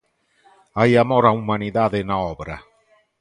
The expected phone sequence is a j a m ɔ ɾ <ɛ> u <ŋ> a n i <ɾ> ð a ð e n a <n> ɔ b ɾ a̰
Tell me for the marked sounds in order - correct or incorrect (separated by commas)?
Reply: incorrect, incorrect, incorrect, incorrect